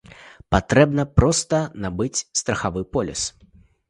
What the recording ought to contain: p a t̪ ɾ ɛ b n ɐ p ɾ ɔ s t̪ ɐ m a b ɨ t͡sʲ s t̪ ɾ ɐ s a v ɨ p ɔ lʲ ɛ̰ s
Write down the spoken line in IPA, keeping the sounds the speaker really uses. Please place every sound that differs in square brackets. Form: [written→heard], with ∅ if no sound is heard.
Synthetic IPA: p a t̪ ɾ ɛ b n ɐ p ɾ ɔ s t̪ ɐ [m→n] a b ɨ t͡sʲ s t̪ ɾ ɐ [s→x] a v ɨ p ɔ lʲ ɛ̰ s